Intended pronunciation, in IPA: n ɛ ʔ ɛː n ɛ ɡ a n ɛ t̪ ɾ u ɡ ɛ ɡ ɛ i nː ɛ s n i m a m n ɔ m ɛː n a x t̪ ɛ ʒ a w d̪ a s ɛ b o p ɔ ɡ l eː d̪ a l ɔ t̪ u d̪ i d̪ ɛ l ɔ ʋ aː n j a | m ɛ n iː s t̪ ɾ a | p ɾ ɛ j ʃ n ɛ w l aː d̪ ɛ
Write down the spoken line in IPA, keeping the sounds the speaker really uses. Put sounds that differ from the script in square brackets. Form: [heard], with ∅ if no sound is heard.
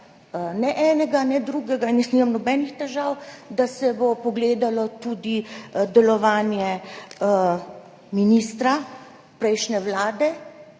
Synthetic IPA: n ɛ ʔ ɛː n ɛ ɡ a n ɛ [d̪] ɾ u ɡ ɛ ɡ [a] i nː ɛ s n i m a m n ɔ [b] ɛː n [i] x t̪ ɛ ʒ a w d̪ a s ɛ b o p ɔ ɡ l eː d̪ a l ɔ t̪ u d̪ i d̪ ɛ l ɔ ʋ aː n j [ɛ] | m [i] n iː s t̪ ɾ a | p ɾ ɛ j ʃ n ɛ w l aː d̪ ɛ